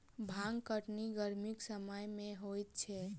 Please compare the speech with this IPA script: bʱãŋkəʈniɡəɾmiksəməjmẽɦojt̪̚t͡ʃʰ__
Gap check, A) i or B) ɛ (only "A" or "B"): B